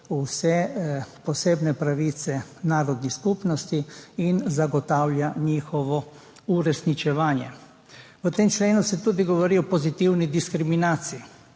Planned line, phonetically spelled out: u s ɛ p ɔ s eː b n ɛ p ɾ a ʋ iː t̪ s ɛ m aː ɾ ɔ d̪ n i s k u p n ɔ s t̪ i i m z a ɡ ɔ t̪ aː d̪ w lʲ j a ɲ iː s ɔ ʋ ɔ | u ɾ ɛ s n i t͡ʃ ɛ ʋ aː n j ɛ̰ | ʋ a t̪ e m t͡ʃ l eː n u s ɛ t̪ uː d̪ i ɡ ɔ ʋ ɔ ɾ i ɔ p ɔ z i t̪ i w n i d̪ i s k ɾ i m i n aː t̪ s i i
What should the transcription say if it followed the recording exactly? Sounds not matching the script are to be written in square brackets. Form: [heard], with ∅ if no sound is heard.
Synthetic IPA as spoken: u s ɛ p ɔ s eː b n ɛ p ɾ a ʋ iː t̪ s ɛ [n] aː ɾ ɔ d̪ n i s k u p n ɔ s t̪ i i [n] z a ɡ ɔ t̪ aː [∅] w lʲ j a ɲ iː [x] ɔ ʋ ɔ | u ɾ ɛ s n i t͡ʃ ɛ ʋ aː n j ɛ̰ | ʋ [ə] t̪ e m t͡ʃ l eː n u s ɛ t̪ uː d̪ i ɡ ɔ ʋ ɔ ɾ i ɔ p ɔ z i t̪ i w n i d̪ i s k ɾ i m i n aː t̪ s i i